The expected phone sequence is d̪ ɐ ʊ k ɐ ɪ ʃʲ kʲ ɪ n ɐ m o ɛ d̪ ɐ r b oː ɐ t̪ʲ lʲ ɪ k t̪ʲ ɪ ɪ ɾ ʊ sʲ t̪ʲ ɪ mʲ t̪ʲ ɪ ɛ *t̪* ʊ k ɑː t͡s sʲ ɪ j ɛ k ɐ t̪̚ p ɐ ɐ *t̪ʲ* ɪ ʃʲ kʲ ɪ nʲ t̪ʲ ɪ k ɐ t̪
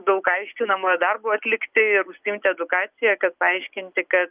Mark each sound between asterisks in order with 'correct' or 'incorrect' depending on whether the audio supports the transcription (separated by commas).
incorrect, incorrect